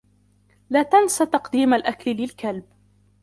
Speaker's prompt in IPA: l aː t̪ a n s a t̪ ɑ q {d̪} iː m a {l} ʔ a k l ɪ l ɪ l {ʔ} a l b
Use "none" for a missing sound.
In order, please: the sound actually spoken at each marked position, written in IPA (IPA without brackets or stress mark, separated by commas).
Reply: d̪, l, k